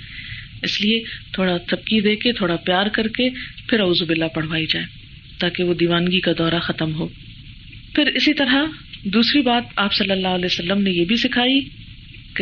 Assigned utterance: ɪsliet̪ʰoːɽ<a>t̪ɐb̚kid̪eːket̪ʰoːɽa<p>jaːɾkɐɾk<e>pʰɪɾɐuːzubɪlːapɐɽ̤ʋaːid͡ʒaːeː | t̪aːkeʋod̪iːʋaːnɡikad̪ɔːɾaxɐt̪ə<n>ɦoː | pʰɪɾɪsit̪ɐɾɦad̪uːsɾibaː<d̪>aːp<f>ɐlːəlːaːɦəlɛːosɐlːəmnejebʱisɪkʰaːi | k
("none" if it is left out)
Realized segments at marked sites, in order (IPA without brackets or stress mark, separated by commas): a, p, e, m, t̪, s